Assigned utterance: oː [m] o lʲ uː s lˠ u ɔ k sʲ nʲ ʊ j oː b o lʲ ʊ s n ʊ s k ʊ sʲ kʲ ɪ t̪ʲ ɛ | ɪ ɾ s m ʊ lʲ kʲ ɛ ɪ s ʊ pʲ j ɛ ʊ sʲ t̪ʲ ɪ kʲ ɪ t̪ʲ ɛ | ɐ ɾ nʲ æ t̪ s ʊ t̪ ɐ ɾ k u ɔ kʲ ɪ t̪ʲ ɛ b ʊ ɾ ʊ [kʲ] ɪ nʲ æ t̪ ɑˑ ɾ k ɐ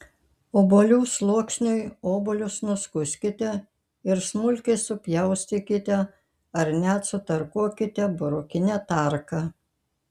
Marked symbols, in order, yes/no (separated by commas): no, yes